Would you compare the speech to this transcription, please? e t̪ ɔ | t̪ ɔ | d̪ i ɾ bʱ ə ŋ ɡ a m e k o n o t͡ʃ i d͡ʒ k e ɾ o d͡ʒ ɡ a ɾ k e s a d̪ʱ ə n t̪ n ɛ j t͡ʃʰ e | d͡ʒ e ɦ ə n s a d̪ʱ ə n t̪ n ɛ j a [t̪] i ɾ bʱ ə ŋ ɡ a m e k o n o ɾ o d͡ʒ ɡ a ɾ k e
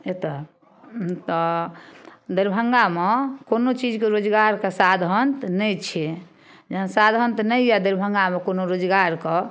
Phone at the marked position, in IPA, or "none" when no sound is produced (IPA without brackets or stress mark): d̪